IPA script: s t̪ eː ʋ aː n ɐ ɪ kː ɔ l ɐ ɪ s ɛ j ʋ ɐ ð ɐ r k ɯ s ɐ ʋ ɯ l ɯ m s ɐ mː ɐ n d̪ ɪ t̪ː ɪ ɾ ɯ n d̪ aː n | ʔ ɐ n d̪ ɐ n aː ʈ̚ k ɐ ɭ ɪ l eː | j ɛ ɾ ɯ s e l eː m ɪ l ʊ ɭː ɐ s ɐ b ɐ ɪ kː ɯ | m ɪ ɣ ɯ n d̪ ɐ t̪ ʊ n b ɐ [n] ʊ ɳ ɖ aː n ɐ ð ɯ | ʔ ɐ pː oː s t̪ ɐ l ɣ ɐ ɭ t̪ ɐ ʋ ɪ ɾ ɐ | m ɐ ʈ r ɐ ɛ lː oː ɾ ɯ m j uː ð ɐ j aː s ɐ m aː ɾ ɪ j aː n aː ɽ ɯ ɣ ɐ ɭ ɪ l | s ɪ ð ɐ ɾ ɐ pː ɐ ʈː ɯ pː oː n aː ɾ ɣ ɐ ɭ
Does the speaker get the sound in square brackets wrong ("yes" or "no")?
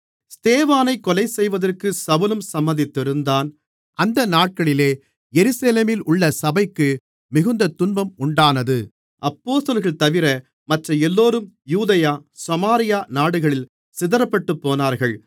yes